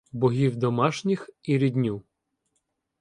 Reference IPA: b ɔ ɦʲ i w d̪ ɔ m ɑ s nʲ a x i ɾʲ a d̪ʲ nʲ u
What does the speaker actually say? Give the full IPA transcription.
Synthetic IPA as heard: b ɔ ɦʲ i w d̪ ɔ m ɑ ʃ nʲ i x i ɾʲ i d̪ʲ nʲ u